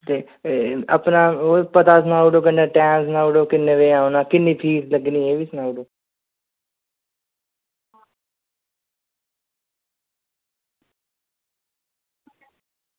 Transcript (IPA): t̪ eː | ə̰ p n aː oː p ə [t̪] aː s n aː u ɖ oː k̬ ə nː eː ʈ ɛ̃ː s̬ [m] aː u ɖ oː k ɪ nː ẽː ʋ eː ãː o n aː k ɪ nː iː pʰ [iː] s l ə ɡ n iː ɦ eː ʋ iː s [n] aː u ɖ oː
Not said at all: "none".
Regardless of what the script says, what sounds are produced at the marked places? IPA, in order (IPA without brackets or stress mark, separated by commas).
t̪, n, iː, n